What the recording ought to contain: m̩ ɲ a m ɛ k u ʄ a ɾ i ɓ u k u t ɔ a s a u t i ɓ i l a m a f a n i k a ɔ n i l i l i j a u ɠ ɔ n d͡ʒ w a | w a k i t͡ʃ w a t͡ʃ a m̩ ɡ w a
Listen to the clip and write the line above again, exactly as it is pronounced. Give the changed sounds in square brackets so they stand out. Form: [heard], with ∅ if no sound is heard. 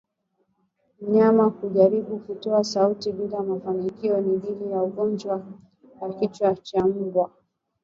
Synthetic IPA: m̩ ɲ a m [a] k u ʄ a ɾ i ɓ u k u t ɔ a s a u t i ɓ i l a m a f a n i k [i] ɔ n i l i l i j a u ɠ ɔ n d͡ʒ w a | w a k i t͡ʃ w a t͡ʃ a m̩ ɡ w a